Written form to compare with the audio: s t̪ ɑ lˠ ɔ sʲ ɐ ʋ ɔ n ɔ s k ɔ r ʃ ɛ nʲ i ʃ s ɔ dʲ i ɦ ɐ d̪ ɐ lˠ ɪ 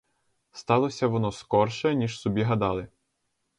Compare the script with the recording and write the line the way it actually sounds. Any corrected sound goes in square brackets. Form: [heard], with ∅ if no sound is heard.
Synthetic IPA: s t̪ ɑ lˠ ɔ sʲ ɐ ʋ ɔ n ɔ s k ɔ r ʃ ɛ nʲ i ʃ s ɔ [bʲ] i ɦ ɐ d̪ [ɑ] lˠ ɪ